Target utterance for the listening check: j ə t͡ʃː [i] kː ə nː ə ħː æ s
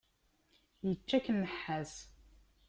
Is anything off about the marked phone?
yes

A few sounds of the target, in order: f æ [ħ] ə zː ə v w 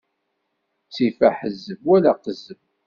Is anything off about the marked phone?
no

